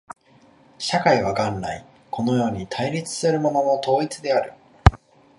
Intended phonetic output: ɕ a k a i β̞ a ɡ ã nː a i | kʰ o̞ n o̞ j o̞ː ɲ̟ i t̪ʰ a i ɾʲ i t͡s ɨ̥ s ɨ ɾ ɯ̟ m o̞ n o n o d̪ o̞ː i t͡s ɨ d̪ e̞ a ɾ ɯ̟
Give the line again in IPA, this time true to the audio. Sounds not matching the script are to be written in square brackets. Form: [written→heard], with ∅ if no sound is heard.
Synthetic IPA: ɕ a k a i β̞ a ɡ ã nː a i | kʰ o̞ n o̞ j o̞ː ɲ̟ i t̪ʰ a i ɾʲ i t͡s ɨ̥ s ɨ ɾ ɯ̟ m o̞ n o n o [d̪→t̪] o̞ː i t͡s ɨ d̪ e̞ a ɾ ɯ̟